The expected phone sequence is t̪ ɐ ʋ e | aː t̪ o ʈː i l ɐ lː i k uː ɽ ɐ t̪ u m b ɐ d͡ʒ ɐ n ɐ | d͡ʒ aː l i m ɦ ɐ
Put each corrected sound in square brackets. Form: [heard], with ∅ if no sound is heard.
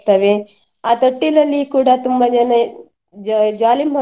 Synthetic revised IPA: t̪ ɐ ʋ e | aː t̪ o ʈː i l ɐ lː i k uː ɽ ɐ t̪ u m b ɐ d͡ʒ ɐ n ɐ | d͡ʒ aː l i m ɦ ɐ